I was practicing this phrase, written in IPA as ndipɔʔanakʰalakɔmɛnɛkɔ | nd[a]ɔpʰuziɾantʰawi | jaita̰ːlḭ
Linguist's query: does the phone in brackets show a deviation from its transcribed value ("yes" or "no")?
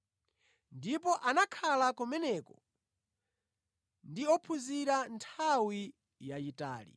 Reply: yes